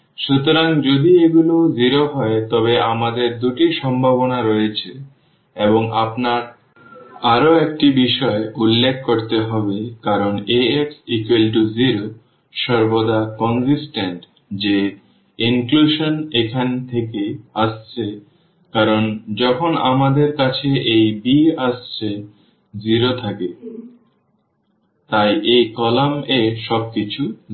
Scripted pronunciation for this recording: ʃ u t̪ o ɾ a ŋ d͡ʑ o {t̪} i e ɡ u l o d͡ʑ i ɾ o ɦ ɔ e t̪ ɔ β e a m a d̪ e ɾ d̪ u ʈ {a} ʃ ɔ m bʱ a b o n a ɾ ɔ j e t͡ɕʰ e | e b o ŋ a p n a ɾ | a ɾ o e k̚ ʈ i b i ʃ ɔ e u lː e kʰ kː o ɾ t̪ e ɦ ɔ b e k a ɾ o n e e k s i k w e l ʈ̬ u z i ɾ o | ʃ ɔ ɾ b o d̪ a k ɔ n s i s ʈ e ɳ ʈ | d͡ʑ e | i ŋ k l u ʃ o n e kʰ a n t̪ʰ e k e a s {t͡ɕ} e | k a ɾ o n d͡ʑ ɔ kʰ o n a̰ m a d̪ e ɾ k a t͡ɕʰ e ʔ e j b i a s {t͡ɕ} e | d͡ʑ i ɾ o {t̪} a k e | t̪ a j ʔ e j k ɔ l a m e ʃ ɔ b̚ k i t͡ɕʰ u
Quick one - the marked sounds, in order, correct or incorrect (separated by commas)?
incorrect, incorrect, incorrect, incorrect, incorrect